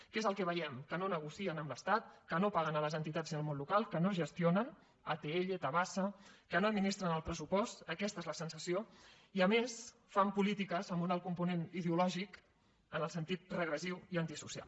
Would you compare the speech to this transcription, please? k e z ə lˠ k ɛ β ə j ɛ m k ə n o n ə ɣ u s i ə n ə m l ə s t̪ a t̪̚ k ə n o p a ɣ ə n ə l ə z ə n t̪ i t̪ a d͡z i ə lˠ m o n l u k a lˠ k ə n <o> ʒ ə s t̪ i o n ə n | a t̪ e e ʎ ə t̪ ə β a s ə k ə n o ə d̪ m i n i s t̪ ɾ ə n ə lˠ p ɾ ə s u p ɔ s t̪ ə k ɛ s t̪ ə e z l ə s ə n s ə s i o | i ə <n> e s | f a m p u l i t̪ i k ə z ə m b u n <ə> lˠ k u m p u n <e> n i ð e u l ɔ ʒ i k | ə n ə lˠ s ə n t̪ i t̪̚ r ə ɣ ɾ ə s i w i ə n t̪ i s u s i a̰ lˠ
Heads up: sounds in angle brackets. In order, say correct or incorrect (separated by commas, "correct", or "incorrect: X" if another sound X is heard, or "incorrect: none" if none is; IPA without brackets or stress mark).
correct, incorrect: m, incorrect: a, correct